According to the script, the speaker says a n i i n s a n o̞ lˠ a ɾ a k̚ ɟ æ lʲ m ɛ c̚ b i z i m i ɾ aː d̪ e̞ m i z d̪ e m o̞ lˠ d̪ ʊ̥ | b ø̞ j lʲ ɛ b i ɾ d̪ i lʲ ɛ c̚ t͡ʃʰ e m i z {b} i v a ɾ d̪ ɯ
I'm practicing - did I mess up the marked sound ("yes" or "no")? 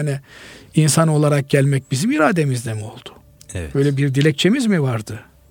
yes